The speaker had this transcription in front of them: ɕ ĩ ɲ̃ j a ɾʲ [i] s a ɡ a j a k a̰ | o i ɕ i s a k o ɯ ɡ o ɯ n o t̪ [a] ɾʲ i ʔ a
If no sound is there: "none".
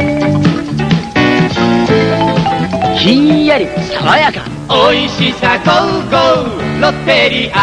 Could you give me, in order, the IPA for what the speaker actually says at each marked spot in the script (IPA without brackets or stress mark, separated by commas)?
i, e